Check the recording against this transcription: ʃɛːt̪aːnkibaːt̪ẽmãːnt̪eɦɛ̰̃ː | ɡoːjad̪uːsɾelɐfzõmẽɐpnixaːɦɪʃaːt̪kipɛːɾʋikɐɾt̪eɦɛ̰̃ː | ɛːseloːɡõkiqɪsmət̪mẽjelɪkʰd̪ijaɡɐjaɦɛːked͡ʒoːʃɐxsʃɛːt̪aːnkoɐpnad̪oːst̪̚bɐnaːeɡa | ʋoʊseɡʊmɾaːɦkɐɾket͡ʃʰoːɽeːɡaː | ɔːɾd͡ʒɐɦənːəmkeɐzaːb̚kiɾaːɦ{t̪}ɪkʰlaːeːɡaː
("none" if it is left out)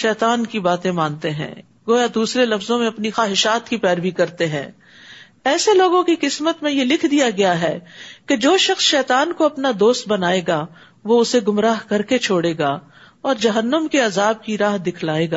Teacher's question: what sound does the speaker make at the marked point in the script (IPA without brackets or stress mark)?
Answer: d̪